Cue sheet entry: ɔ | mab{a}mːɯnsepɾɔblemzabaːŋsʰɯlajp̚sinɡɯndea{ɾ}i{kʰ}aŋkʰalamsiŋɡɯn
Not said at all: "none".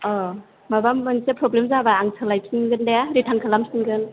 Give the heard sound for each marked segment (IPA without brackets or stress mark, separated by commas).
a, ɾ, tʰ